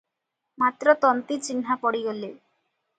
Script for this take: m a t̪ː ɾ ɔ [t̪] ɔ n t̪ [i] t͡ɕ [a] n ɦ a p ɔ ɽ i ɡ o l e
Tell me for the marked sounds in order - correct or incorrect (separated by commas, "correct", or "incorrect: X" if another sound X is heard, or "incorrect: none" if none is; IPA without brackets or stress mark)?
correct, correct, incorrect: i